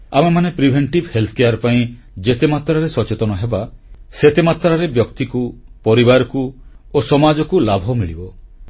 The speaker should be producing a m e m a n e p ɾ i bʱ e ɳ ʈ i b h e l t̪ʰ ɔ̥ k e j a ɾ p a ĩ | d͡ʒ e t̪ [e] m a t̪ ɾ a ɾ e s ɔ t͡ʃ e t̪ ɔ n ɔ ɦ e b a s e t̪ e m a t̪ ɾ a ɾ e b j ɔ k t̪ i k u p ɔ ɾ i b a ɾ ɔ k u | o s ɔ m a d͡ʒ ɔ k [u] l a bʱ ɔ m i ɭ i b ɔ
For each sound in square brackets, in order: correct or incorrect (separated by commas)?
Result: correct, correct